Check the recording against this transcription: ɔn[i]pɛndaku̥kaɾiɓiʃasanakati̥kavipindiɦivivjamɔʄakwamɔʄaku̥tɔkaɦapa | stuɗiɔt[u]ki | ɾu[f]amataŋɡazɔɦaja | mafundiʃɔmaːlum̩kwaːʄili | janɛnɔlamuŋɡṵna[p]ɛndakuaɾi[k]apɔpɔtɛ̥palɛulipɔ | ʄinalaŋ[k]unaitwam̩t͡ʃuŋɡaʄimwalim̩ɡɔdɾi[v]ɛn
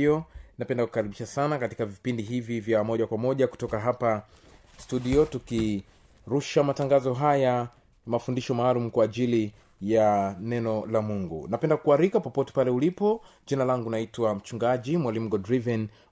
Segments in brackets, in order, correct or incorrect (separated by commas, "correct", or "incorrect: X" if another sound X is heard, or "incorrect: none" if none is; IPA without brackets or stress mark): incorrect: a, correct, incorrect: ʃ, correct, correct, incorrect: ɡ, correct